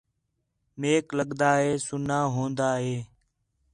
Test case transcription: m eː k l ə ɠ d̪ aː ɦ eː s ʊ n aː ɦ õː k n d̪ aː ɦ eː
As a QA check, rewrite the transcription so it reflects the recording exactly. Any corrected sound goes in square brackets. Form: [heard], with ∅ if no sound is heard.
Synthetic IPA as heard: m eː k l ə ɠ d̪ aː ɦ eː s ʊ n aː ɦ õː [∅] n d̪ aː ɦ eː